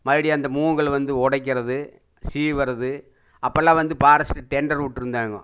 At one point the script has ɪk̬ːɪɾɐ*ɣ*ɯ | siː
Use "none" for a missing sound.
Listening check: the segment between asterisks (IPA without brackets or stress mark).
ð